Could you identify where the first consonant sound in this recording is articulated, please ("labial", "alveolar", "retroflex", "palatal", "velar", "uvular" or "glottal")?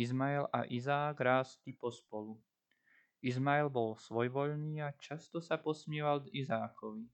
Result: alveolar